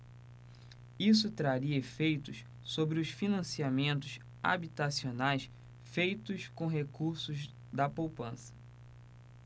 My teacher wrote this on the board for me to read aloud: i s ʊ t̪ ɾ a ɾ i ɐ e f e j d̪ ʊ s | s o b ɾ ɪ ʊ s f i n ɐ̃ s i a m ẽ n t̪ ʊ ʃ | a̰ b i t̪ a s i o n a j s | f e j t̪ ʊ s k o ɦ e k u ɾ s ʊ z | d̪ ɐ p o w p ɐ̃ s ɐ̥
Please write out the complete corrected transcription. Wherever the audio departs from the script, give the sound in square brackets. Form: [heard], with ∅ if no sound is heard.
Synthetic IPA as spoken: i s ʊ t̪ ɾ a ɾ i ɐ e f e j [t̪] ʊ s | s o b ɾ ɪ ʊ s f i n ɐ̃ s i a m ẽ n t̪ ʊ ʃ | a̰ b i t̪ a s i o n a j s | f e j t̪ ʊ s k [õ] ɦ e k u ɾ s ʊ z | d̪ ɐ p o w p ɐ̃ s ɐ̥